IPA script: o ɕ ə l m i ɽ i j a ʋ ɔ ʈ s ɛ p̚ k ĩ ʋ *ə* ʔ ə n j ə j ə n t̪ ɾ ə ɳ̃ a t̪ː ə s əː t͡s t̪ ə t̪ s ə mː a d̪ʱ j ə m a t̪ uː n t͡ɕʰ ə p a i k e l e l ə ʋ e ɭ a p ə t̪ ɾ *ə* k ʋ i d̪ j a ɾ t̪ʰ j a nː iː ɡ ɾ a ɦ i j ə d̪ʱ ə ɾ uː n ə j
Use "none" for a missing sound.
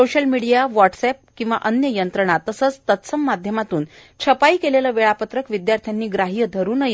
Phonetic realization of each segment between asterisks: a, ə

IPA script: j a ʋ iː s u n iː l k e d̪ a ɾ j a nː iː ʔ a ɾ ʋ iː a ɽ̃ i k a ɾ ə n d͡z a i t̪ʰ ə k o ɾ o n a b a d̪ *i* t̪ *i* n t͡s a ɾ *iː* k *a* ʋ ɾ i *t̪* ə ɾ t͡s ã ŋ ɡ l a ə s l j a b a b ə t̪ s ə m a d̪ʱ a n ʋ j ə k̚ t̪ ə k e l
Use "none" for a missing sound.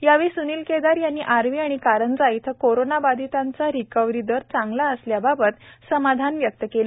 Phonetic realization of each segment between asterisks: i, a, i, ə, d̪

